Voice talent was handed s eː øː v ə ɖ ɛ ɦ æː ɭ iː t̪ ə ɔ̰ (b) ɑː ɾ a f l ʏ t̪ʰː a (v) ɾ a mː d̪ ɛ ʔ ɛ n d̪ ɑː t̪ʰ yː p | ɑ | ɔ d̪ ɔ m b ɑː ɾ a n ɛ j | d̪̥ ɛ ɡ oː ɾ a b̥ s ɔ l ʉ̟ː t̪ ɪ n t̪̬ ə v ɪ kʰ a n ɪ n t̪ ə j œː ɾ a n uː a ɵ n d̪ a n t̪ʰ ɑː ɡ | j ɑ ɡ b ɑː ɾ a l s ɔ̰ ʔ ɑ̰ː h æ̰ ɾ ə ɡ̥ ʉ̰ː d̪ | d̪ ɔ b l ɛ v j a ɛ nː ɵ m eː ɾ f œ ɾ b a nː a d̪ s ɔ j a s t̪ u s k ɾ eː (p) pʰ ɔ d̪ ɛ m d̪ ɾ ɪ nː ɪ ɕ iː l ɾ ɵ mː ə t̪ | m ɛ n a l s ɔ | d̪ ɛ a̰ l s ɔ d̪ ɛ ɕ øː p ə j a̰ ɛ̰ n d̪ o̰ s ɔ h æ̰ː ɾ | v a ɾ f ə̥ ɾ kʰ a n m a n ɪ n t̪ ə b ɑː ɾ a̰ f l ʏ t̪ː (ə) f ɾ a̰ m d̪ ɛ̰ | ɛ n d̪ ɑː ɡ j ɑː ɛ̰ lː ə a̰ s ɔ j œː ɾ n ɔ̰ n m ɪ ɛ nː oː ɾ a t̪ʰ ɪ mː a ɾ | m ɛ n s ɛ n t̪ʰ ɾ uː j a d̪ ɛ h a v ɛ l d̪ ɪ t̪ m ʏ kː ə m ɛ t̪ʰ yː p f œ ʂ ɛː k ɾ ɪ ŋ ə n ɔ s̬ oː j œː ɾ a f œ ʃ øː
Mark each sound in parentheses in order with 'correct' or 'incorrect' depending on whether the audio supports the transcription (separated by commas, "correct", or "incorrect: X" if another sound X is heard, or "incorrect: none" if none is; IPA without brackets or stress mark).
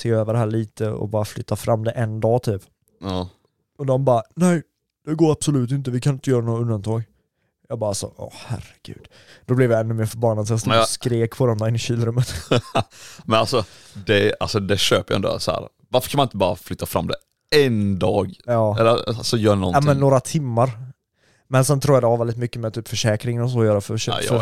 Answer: correct, incorrect: f, incorrect: k, incorrect: a